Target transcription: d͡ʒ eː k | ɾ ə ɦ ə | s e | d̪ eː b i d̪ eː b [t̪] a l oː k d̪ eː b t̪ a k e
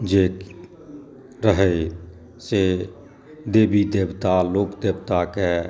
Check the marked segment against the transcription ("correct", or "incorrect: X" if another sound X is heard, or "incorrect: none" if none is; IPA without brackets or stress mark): correct